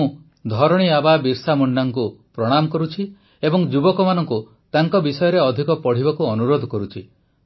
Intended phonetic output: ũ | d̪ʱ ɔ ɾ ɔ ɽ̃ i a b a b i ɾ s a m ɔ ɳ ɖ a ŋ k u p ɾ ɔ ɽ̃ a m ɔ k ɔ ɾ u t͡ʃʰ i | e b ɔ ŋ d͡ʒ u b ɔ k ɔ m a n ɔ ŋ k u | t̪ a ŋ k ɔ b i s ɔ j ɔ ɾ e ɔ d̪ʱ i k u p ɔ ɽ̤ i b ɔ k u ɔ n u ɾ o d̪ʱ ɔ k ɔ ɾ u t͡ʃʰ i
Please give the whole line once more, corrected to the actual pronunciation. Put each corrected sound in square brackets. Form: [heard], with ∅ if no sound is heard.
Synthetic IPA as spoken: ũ | d̪ʱ ɔ ɾ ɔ ɽ̃ i a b a b i ɾ s a m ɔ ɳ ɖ a ŋ k u p ɾ ɔ ɽ̃ a m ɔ k ɔ ɾ u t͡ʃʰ i | e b ɔ ŋ d͡ʒ u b ɔ k ɔ m a n ɔ ŋ k u | t̪ a ŋ k ɔ b i s ɔ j ɔ ɾ e ɔ d̪ʱ i k [ɔ] p ɔ ɽ̤ i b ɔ k u ɔ n u ɾ o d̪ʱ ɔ k ɔ ɾ u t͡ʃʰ i

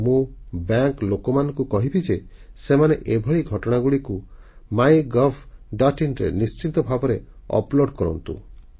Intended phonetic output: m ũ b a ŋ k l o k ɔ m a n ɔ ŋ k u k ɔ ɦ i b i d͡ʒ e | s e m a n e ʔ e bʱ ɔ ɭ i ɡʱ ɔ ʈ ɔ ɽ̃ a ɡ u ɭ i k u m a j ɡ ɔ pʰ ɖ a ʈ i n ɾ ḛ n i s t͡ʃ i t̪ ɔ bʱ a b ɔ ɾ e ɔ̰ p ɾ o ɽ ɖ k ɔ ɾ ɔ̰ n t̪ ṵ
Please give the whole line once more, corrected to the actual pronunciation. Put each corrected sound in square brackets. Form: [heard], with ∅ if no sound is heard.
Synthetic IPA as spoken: m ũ b a ŋ k l o k ɔ m a n ɔ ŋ k u k ɔ ɦ i b i d͡ʒ e | s e m a n e ʔ e bʱ ɔ ɭ i ɡʱ ɔ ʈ ɔ ɽ̃ a ɡ u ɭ i k u m a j ɡ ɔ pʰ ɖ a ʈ i n ɾ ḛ n i s t͡ʃ i t̪ ɔ bʱ a b ɔ ɾ e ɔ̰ p [l] o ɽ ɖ k ɔ ɾ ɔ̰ n t̪ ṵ

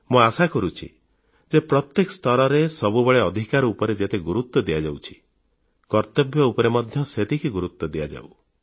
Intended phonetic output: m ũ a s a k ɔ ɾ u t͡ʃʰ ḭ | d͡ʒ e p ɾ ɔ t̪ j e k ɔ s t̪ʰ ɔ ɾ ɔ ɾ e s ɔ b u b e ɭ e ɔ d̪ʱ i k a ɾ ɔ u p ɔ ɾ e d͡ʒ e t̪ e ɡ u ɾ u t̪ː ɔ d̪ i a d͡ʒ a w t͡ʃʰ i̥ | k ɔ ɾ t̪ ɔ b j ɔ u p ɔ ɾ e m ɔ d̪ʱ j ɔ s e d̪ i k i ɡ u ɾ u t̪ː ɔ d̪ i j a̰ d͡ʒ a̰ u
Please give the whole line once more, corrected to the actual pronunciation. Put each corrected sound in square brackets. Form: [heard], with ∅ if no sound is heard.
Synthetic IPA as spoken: m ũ a s a k ɔ ɾ u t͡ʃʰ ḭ | d͡ʒ e p ɾ ɔ t̪ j e k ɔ s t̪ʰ ɔ ɾ ɔ ɾ e s ɔ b u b e ɭ e ɔ d̪ʱ i k a ɾ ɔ u p ɔ ɾ e d͡ʒ e t̪ e ɡ u ɾ u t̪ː ɔ d̪ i a d͡ʒ a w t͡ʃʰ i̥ | k ɔ ɾ t̪ ɔ b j ɔ u p ɔ ɾ e m ɔ d̪ʱ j ɔ s e [t̪] i k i ɡ u ɾ u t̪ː ɔ d̪ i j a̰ d͡ʒ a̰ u

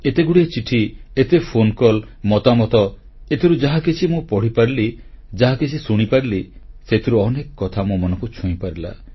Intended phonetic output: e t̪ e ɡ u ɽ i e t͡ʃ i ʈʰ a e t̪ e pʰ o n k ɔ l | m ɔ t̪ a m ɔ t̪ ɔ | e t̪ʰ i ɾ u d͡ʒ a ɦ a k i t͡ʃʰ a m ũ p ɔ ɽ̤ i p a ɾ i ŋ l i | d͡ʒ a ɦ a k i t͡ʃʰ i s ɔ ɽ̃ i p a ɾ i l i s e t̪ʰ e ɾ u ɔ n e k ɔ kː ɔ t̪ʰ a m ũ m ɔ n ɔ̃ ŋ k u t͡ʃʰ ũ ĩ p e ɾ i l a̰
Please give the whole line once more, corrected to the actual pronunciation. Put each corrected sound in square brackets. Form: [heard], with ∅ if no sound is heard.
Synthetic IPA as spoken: e t̪ e ɡ u ɽ i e t͡ʃ i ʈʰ [i] e t̪ e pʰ o n k ɔ l | m ɔ t̪ a m ɔ t̪ ɔ | e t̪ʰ i ɾ u d͡ʒ a ɦ a k i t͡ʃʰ [i] m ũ p ɔ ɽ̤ i p a ɾ i [∅] l i | d͡ʒ a ɦ a k i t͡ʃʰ i s [u] ɽ̃ i p a ɾ i l i s e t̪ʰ [i] ɾ u ɔ n e k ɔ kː ɔ t̪ʰ a m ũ m ɔ n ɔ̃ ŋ k u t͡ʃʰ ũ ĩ p [a] ɾ i l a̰

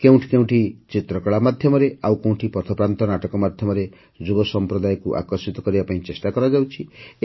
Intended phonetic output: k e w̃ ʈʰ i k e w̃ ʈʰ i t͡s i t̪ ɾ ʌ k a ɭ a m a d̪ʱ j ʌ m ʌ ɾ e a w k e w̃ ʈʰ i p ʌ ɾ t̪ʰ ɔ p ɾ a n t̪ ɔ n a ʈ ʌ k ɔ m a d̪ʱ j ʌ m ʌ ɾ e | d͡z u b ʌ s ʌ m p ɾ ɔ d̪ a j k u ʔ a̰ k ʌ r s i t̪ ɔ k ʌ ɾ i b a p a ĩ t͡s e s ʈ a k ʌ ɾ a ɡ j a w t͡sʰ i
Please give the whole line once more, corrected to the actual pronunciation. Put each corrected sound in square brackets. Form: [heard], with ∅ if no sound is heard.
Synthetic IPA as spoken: k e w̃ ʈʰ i k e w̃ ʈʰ i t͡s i t̪ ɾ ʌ k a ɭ a m a d̪ʱ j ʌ m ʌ ɾ e a w k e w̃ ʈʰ i p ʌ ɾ t̪ʰ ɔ p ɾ a n t̪ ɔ n a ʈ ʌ k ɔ m a d̪ʱ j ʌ m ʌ ɾ e | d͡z u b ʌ s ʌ m p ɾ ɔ d̪ a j k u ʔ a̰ k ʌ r s i t̪ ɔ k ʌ ɾ i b a p a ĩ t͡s e s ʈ a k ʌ ɾ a ɡ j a w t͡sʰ i

